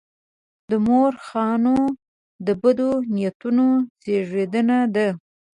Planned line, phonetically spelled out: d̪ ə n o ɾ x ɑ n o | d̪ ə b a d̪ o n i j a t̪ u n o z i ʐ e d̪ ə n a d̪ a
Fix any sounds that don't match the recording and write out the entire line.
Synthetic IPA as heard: d̪ ə m o ɾ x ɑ n o | d̪ ə b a d̪ o n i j a t̪ u n o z e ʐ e d̪ ə n a d̪ a